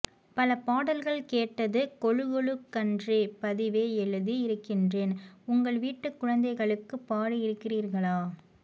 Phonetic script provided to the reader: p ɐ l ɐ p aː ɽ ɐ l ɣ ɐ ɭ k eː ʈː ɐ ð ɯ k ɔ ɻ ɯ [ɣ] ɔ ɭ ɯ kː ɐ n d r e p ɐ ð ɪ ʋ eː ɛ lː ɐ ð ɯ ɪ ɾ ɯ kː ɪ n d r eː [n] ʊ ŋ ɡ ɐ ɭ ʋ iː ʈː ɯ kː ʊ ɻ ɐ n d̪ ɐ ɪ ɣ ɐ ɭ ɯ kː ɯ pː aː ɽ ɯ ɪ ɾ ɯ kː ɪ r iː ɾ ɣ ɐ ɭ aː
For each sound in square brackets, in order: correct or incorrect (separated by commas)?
correct, correct